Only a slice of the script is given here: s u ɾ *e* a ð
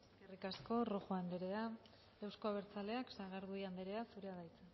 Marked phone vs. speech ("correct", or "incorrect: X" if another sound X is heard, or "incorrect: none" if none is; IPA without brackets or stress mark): correct